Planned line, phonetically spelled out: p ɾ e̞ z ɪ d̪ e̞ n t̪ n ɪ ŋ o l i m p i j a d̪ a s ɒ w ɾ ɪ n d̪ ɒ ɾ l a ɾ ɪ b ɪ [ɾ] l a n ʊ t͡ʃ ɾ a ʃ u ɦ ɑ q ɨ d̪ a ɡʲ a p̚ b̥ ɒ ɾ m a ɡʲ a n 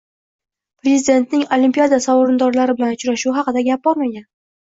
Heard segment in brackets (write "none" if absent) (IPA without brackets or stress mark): none